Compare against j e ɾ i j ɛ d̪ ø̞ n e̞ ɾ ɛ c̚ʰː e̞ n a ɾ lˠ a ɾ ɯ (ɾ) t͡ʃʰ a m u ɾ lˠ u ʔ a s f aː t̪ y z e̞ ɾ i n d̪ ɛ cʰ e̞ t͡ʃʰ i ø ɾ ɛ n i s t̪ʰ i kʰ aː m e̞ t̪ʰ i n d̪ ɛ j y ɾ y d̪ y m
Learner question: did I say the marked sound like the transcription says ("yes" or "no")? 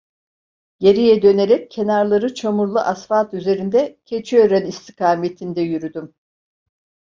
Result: no